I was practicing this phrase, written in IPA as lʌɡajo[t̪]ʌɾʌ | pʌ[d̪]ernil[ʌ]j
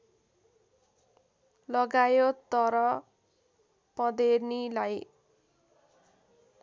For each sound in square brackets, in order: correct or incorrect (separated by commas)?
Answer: correct, correct, incorrect